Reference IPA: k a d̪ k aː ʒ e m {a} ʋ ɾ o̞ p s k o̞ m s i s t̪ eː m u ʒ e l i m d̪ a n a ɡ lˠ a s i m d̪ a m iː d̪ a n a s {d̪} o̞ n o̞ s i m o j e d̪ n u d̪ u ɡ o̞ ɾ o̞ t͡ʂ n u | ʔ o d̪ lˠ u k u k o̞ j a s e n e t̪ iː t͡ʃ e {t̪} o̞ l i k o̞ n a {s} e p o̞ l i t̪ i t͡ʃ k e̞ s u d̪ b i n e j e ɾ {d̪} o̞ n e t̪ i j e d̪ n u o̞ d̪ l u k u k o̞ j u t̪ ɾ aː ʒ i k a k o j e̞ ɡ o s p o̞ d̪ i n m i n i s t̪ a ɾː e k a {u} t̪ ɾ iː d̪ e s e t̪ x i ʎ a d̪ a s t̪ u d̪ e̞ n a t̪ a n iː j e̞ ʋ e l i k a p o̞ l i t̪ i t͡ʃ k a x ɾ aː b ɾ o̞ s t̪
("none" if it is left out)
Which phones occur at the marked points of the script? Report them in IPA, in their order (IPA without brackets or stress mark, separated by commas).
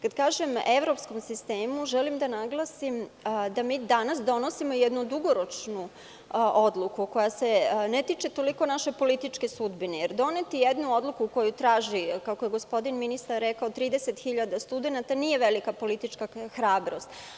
e, d̪, t̪, ʃ, d̪, o